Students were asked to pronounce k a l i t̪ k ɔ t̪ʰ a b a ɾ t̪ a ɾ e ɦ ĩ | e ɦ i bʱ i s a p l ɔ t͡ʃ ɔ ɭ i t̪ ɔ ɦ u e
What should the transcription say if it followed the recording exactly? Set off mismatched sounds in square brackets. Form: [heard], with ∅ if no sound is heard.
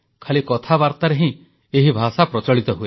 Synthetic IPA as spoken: [kʰ] a l i [∅] k ɔ t̪ʰ a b a ɾ t̪ a ɾ e ɦ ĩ | e ɦ i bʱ [a] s a p [ɾ] ɔ t͡ʃ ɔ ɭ i t̪ ɔ ɦ u e